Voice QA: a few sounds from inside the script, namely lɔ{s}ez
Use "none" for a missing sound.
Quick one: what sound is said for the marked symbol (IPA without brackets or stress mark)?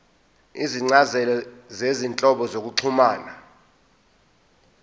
z